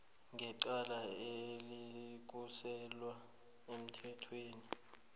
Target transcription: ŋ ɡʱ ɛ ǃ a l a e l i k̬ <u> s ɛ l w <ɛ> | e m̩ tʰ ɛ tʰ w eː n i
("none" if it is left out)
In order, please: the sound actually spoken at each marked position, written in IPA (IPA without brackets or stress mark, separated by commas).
u, a